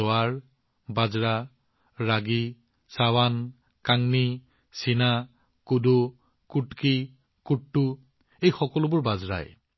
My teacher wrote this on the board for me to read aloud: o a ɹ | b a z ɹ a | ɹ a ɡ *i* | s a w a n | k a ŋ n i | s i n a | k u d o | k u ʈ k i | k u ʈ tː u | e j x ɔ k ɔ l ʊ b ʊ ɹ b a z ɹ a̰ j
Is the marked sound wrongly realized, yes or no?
no